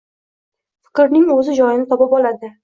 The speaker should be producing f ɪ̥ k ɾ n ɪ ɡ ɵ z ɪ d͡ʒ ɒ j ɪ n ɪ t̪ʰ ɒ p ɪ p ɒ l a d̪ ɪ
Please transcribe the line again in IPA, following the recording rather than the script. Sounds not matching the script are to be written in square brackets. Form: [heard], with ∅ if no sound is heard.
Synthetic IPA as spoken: f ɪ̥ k ɾ n ɪ [ŋ] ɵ z ɪ d͡ʒ ɒ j ɪ n ɪ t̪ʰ ɒ p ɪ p ɒ l a d̪ ɪ